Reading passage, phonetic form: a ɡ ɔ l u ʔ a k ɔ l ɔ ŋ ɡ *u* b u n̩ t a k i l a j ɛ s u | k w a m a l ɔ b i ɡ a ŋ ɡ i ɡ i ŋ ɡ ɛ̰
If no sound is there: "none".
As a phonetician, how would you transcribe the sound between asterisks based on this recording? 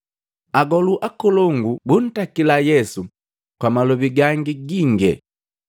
u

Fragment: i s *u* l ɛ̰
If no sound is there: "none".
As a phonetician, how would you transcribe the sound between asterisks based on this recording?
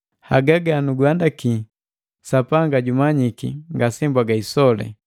ɔ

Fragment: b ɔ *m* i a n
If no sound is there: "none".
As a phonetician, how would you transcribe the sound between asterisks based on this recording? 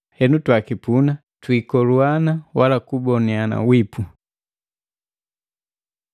n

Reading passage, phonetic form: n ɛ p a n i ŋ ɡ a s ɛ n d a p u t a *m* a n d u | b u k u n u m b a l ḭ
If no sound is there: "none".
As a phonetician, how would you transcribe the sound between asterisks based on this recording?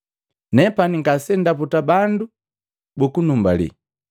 b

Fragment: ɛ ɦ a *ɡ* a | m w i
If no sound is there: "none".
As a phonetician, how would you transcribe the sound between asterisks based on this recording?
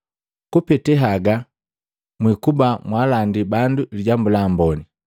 ɡ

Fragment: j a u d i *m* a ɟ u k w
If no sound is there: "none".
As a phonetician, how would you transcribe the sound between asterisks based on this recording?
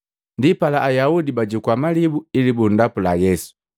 b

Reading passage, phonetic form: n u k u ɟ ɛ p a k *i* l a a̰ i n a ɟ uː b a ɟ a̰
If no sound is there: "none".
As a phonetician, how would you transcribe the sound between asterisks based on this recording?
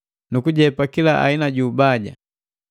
i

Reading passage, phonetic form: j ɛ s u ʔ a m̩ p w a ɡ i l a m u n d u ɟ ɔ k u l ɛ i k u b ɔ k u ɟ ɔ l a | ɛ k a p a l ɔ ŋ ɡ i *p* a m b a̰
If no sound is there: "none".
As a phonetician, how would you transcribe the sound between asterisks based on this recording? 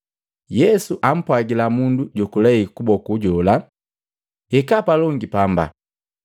p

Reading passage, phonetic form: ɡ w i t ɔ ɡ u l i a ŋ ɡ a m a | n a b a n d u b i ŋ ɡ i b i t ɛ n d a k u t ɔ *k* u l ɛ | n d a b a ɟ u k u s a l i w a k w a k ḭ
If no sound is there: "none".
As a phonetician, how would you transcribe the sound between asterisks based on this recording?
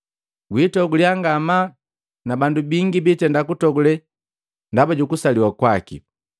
ɡ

